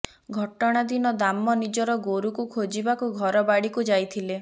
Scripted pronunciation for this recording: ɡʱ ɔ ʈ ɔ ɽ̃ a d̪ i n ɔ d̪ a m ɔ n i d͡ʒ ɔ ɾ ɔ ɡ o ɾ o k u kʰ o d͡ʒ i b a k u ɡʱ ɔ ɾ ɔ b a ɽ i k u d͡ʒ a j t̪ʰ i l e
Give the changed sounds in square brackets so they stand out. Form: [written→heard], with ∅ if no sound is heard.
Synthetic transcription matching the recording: ɡʱ ɔ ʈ ɔ ɽ̃ a d̪ i n ɔ d̪ a m ɔ n i d͡ʒ ɔ ɾ ɔ ɡ o ɾ [o→u] k u kʰ o d͡ʒ i b a k u ɡʱ ɔ ɾ ɔ b a ɽ i k u d͡ʒ a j t̪ʰ i l e